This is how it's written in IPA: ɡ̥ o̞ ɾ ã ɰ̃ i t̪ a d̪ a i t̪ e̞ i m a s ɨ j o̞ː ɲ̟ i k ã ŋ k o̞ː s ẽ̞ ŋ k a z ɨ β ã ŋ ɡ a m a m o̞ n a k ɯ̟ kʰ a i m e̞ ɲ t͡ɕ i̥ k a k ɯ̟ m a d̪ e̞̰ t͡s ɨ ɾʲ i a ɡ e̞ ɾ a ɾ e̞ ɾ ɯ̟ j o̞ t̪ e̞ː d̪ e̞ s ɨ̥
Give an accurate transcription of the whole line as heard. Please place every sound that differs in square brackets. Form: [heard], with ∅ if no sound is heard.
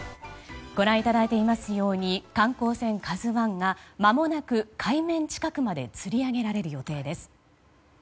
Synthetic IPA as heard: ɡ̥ o̞ ɾ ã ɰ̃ i t̪ a d̪ a i t̪ e̞ i m a s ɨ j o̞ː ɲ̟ i k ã ŋ k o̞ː s ẽ̞ ŋ k a z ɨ β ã ŋ ɡ a m a m o̞ n a k ɯ̟ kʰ a i m [ẽ̞] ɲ t͡ɕ i̥ k a k ɯ̟ m a d̪ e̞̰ t͡s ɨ ɾʲ i a ɡ e̞ ɾ a ɾ e̞ ɾ ɯ̟ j o̞ t̪ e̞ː d̪ e̞ s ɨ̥